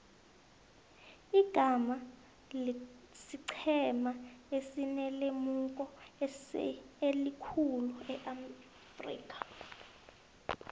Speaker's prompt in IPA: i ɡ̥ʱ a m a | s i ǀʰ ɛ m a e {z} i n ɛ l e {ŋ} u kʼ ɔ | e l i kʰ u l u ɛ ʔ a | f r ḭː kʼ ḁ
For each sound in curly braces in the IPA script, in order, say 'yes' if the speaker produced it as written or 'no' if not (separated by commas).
no, no